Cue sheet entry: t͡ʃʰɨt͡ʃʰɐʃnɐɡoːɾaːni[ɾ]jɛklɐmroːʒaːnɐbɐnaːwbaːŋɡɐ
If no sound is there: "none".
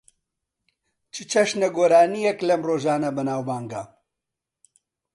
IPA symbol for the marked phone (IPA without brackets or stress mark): none